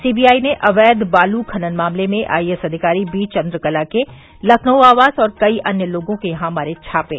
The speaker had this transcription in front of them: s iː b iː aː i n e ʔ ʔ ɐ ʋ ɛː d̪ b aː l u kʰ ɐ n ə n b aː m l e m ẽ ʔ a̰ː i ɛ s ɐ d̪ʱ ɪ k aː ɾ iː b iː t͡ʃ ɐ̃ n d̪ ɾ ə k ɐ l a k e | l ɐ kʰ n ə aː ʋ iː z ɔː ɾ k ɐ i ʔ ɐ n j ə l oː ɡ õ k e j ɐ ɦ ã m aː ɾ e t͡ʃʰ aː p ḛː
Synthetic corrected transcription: s iː b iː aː i n e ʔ ʔ ɐ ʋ ɛː d̪ b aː l u kʰ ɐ n ə n m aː m l e m ẽ ʔ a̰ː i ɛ s ɐ d̪ʱ ɪ k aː ɾ i b iː t͡ʃ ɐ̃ n d̪ ɾ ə k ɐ l a k e | l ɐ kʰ n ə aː ʋ aː z ɔː ɾ k ɐ i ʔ ɐ n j ə l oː ɡ õ k e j ɐ ɦ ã m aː ɾ e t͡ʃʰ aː p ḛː